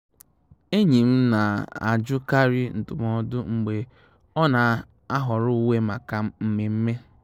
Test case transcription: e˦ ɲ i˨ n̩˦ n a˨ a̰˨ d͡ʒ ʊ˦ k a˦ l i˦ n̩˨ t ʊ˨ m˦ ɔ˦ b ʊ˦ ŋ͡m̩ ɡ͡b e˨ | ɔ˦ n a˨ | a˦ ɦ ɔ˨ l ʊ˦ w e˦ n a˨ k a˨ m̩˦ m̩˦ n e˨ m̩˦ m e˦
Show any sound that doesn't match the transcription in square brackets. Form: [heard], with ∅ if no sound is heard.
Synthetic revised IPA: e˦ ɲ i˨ [m̩˦] n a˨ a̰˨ d͡ʒ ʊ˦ k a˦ [ɾ] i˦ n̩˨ t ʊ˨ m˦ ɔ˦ [d] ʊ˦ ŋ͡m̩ ɡ͡b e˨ | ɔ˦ n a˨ | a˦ ɦ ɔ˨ [ɾ] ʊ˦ w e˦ [m] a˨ k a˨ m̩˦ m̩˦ [m] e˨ m̩˦ m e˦

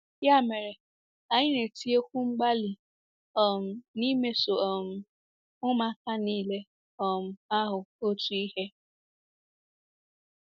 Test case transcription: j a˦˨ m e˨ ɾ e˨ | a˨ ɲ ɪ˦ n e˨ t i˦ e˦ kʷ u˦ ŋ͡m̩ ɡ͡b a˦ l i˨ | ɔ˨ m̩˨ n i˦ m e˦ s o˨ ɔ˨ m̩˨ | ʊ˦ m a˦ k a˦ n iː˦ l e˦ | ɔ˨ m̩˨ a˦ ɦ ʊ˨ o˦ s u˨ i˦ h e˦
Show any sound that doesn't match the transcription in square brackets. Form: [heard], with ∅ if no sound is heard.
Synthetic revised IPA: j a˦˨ m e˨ ɾ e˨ | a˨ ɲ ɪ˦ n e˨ t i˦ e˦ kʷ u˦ ŋ͡m̩ ɡ͡b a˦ l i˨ | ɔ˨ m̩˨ n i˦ m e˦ s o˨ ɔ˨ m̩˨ | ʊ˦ m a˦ k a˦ n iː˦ l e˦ | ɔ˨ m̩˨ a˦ ɦ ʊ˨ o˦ [t] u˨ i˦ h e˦

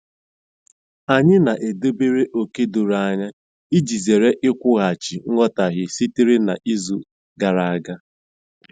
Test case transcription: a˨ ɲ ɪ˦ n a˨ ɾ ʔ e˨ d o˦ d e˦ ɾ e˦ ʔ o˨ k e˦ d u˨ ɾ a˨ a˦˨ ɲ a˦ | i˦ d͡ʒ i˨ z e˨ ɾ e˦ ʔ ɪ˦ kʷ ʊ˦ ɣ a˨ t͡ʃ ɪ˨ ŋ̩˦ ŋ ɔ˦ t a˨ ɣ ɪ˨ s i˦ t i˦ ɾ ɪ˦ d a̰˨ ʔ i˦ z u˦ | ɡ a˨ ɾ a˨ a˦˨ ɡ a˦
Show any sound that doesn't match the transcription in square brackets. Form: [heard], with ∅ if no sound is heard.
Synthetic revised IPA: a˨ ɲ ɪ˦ n a˨ [∅] ʔ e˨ d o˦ [b] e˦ ɾ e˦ ʔ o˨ k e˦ d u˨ ɾ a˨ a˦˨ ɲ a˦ | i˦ d͡ʒ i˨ z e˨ ɾ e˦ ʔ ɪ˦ kʷ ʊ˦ ɣ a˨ t͡ʃ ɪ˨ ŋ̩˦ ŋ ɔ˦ t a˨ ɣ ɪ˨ s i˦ t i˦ ɾ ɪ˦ [n] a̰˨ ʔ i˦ z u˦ | ɡ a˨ ɾ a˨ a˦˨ ɡ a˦

